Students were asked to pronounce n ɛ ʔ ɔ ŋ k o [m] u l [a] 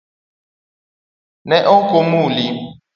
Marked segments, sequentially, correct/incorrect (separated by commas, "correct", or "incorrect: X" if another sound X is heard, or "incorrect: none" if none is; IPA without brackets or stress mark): correct, incorrect: i